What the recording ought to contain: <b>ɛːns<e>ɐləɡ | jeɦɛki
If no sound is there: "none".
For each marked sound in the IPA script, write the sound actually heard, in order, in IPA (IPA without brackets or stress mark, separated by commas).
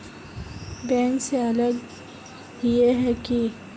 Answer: b, e